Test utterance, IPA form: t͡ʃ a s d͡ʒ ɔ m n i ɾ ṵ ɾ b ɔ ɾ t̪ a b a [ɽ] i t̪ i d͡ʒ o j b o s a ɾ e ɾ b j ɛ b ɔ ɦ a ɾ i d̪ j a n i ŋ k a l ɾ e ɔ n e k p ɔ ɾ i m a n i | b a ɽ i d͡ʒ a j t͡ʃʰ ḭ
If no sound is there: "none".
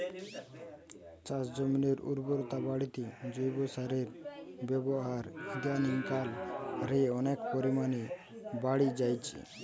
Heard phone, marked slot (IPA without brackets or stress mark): ɽ